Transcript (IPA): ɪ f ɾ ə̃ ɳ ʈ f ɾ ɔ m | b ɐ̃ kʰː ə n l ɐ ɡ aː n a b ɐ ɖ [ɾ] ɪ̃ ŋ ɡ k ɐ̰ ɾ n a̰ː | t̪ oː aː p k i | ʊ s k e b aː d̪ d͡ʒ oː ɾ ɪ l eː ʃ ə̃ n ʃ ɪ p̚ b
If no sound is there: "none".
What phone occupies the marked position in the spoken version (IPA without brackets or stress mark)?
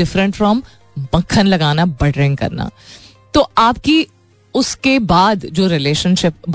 ɾ